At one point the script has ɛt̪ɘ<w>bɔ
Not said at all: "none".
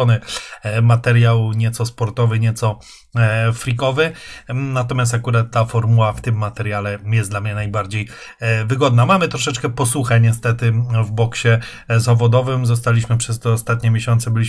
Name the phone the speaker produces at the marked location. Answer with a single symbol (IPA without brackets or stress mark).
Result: v